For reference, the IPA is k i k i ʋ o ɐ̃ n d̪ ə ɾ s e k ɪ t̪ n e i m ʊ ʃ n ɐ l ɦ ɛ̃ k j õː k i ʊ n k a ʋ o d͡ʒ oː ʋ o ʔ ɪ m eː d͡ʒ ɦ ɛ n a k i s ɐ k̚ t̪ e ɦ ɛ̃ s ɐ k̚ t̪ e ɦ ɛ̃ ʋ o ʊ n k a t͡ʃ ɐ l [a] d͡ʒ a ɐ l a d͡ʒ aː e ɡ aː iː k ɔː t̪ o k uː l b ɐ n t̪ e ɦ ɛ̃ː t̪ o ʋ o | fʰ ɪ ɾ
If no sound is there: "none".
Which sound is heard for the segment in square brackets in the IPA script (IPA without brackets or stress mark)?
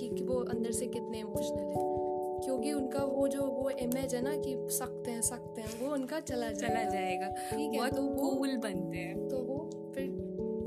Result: a